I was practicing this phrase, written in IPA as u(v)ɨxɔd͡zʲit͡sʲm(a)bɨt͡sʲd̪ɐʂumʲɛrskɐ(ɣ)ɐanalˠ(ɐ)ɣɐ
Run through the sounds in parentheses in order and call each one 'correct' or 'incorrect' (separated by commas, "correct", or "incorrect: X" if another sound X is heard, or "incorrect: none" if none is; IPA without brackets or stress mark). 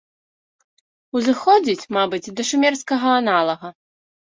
incorrect: z, correct, correct, correct